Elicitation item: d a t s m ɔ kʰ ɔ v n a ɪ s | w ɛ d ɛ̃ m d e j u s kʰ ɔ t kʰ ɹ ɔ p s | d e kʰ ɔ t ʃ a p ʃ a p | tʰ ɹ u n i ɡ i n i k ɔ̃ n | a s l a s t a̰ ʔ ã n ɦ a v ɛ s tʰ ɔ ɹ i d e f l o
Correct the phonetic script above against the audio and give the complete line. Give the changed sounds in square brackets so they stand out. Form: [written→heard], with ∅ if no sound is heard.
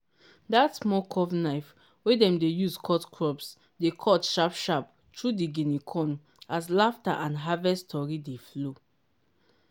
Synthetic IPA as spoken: d a t s m ɔ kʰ ɔ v n a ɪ [s→f] | w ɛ d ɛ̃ m d e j u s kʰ ɔ t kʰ ɹ ɔ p s | d e kʰ ɔ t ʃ a p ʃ a p | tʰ ɹ u [n→d] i ɡ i n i [k→kʰ] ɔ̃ n | a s l a [s→f] t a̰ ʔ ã n ɦ a v ɛ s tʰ ɔ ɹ i d e f l o